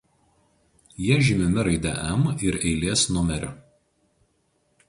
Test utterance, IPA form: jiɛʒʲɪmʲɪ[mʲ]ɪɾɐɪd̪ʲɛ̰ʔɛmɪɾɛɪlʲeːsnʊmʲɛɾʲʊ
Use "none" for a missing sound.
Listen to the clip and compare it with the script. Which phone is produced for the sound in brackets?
mʲ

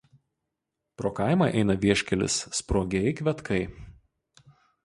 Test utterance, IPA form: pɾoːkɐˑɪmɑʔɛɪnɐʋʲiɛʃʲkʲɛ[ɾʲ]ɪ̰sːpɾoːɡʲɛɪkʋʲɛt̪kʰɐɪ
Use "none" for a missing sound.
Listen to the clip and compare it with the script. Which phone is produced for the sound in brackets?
lʲ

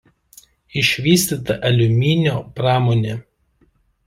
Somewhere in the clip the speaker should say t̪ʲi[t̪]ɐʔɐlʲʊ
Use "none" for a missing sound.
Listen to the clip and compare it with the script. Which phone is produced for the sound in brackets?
t̪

